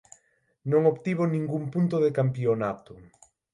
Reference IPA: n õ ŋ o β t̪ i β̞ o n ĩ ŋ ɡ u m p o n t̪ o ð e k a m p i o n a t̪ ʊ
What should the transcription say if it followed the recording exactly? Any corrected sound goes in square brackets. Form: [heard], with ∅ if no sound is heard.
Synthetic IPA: n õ ŋ o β t̪ i β̞ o n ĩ ŋ ɡ u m p [u] n t̪ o ð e k a m p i o n a t̪ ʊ